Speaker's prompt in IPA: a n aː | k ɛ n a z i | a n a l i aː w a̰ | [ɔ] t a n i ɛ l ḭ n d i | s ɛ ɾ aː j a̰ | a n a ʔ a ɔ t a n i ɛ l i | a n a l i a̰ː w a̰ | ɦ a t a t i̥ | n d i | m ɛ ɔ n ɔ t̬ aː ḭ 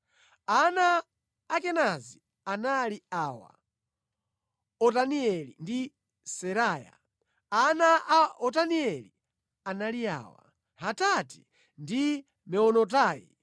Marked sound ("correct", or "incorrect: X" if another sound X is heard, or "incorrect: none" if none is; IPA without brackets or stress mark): correct